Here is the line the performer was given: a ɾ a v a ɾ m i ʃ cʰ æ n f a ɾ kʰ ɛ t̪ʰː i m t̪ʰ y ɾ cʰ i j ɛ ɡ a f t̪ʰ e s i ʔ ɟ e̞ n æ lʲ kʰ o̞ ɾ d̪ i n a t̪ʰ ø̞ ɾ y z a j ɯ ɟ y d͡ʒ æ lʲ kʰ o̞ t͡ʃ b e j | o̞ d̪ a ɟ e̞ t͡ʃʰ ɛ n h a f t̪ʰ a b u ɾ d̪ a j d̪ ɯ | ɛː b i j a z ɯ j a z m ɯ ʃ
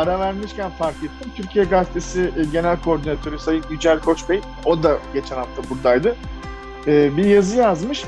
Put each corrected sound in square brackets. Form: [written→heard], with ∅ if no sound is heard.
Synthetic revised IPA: a ɾ a v [a→æ] ɾ m i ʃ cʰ æ n f a ɾ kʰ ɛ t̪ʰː i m t̪ʰ y ɾ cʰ i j ɛ ɡ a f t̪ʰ e s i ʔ ɟ e̞ n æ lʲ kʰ o̞ ɾ d̪ i n a t̪ʰ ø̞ ɾ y [z→s] a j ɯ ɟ y d͡ʒ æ lʲ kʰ o̞ t͡ʃ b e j | o̞ d̪ a ɟ e̞ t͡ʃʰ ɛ n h a f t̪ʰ a b u ɾ d̪ a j d̪ ɯ | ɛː b i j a z ɯ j a z m ɯ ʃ

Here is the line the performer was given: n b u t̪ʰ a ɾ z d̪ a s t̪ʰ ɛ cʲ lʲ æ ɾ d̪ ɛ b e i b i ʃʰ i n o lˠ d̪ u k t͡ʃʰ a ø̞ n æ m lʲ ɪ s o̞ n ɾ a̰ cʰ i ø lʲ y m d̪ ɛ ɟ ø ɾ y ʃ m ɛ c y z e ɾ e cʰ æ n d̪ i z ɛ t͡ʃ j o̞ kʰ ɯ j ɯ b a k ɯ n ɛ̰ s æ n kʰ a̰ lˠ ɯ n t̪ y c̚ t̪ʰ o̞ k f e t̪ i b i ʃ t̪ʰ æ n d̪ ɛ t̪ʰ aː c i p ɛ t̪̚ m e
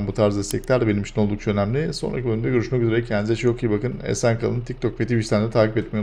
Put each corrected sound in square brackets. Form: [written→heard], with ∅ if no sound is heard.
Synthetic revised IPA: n b u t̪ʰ a ɾ z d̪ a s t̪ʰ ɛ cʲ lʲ æ ɾ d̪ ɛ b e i [b→m] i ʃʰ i n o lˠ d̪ u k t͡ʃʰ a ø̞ n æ m lʲ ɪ s o̞ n ɾ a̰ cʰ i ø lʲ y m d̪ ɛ ɟ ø ɾ y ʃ m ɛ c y z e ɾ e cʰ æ n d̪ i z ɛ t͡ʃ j o̞ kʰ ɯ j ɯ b a k ɯ n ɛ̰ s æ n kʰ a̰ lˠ ɯ n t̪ [y→i] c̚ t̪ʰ o̞ k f e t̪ i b i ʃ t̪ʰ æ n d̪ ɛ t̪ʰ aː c i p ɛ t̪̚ m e

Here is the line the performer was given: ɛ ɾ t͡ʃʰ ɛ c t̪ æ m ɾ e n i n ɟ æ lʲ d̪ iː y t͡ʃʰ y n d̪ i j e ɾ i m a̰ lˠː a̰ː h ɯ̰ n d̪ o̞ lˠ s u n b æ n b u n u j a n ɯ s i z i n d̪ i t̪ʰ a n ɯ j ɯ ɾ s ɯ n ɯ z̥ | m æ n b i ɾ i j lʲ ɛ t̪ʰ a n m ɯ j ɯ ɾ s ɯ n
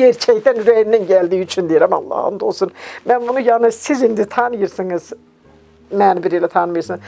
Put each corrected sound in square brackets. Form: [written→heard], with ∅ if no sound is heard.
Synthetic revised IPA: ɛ ɾ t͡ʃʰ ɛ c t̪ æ [m→n] ɾ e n i n ɟ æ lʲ d̪ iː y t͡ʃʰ y n d̪ i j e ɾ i m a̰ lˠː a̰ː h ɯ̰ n d̪ o̞ lˠ s u n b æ n b u n u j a n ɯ s i z i n d̪ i t̪ʰ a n ɯ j ɯ ɾ s ɯ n ɯ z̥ | m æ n b i ɾ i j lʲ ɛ t̪ʰ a n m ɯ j ɯ ɾ s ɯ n

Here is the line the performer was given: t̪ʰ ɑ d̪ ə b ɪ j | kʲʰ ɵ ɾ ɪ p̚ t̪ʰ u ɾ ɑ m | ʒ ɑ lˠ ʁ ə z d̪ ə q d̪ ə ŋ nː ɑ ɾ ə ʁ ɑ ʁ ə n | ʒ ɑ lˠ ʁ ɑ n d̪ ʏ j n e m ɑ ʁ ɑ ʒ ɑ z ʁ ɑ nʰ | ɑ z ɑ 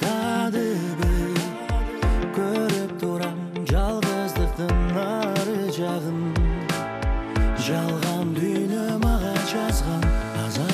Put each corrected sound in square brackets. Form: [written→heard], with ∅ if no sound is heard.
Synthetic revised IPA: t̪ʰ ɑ d̪ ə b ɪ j | kʲʰ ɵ ɾ ɪ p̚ t̪ʰ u ɾ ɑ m | ʒ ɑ lˠ ʁ ə z d̪ ə q [d̪→t̪] ə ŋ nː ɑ ɾ ə [ʁ→ʒ] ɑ ʁ ə n | ʒ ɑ lˠ ʁ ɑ n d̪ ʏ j n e m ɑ ʁ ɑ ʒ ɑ z ʁ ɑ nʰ | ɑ z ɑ

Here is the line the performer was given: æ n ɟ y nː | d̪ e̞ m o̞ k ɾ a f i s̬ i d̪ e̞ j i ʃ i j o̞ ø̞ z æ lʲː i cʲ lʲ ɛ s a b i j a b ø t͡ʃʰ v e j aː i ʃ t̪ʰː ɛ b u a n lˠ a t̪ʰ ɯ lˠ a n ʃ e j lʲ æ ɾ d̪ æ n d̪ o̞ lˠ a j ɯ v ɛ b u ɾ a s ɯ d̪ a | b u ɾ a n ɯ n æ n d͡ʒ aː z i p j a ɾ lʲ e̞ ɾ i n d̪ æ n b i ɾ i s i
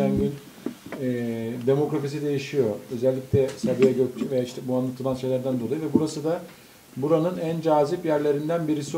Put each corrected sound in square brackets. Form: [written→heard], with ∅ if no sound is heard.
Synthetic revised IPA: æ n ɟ y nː | d̪ e̞ m o̞ k ɾ a f i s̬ i d̪ e̞ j i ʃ i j o̞ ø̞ z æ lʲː i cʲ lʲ ɛ s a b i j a [b→ɟ] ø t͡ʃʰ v e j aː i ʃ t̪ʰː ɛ b u a n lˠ a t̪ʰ ɯ lˠ a n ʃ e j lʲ æ ɾ d̪ æ n d̪ o̞ lˠ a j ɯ v ɛ b u ɾ a s ɯ d̪ a | b u ɾ a n ɯ n æ n d͡ʒ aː z i p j [a→æ] ɾ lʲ e̞ ɾ i n d̪ æ n b i ɾ i s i

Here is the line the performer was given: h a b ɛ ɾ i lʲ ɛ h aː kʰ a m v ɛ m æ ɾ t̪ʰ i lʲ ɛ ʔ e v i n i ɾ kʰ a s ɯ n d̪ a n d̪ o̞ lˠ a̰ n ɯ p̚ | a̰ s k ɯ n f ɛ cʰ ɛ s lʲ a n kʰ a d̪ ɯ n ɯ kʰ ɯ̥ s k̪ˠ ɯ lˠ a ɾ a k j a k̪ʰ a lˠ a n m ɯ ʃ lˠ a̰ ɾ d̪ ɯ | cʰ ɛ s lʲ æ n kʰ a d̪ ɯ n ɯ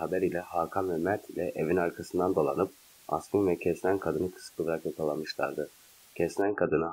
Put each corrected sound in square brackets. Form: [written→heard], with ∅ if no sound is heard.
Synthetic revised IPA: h a b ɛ ɾ i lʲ ɛ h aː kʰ a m v ɛ m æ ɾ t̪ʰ i lʲ ɛ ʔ e v i n [i→a] ɾ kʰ a s ɯ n d̪ a n d̪ o̞ lˠ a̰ n ɯ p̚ | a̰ s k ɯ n [f→v] ɛ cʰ ɛ s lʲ [a→æ] n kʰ a d̪ ɯ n ɯ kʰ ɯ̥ s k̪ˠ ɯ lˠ a ɾ a k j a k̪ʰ a lˠ a n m ɯ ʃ lˠ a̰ ɾ d̪ ɯ | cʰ ɛ s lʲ æ n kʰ a d̪ ɯ n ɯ

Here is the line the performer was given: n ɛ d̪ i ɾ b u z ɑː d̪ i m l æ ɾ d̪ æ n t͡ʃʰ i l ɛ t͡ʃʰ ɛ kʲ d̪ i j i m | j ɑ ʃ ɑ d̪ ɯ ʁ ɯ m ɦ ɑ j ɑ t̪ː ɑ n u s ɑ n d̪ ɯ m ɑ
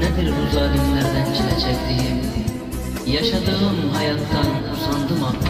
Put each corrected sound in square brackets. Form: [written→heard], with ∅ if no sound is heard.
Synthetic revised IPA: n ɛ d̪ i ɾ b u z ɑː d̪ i m l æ ɾ d̪ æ n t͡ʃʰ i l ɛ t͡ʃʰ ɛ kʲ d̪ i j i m | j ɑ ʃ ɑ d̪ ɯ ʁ ɯ m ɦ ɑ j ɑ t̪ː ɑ n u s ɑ n d̪ ɯ m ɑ

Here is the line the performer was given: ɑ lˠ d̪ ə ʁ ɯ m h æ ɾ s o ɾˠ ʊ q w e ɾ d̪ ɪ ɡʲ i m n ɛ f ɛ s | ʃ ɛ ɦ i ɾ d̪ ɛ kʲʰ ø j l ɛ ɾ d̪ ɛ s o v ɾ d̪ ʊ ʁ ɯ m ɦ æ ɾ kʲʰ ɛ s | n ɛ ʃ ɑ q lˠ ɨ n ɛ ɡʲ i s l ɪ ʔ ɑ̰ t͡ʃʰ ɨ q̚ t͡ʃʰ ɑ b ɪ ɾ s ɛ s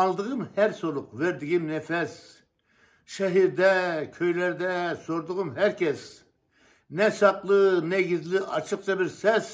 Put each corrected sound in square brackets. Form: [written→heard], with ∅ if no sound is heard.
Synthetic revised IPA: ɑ lˠ d̪ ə ʁ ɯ m h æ ɾ s o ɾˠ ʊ q [w→v] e ɾ d̪ ɪ ɡʲ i m n ɛ f ɛ s | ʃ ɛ ɦ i ɾ d̪ ɛ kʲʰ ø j l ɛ ɾ d̪ ɛ s o [v→∅] ɾ d̪ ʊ ʁ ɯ m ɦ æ ɾ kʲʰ ɛ s | n ɛ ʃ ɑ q lˠ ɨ n ɛ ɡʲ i [s→z] l ɪ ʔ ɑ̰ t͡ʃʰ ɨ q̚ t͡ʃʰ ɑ b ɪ ɾ s ɛ s

